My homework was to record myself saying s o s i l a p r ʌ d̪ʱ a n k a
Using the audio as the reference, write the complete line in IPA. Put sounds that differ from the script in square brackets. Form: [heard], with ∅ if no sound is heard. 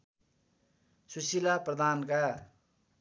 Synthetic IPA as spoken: s [u] s i l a p r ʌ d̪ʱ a n k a